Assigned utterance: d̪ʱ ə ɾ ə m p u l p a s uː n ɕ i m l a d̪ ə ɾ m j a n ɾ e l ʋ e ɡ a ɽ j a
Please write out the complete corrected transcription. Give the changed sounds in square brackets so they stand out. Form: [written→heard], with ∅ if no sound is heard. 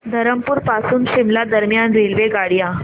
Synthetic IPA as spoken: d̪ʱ ə ɾ ə m p u [l→ɾ] p a s uː n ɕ i m l a d̪ ə ɾ m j a n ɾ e l ʋ e ɡ a ɽ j a